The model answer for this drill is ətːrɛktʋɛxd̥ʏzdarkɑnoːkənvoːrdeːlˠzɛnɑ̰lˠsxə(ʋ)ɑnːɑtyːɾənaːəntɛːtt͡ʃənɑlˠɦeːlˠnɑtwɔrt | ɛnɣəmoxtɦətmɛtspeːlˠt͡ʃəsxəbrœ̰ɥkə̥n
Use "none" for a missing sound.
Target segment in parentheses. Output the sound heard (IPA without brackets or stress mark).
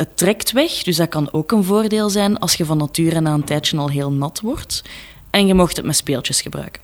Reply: v